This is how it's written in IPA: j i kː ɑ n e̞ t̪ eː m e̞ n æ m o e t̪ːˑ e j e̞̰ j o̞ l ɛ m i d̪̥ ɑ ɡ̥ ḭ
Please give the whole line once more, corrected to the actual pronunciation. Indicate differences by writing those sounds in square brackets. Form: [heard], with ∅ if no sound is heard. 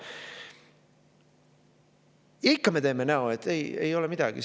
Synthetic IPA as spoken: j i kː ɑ [m] e̞ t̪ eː m e̞ n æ [∅] o e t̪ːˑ e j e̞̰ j o̞ l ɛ m i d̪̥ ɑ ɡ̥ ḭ